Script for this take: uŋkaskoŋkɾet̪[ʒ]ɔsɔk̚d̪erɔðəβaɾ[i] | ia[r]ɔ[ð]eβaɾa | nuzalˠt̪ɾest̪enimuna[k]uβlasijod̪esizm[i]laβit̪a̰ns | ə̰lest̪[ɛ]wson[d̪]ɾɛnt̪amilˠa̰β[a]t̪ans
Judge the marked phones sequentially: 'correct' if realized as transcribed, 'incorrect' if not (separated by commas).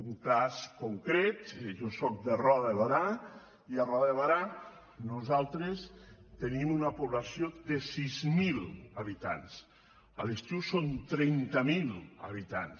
correct, incorrect, correct, correct, incorrect, correct, incorrect, incorrect, incorrect